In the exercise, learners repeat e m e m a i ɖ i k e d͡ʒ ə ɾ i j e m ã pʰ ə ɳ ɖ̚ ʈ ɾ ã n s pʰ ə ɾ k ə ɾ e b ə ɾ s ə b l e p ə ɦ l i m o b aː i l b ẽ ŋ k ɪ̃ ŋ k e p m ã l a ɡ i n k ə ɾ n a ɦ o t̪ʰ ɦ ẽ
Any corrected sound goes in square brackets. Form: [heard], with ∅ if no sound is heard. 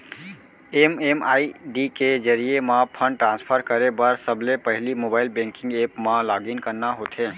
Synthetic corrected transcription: e m e m a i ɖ i k e d͡ʒ ə ɾ i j e m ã pʰ ə ɳ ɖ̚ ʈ ɾ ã n s pʰ ə ɾ k ə ɾ e b ə ɾ s ə b l e p ə ɦ l i m o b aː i l b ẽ ŋ k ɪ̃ ŋ [ɡ] e p m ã l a ɡ i n k ə ɾ n a ɦ o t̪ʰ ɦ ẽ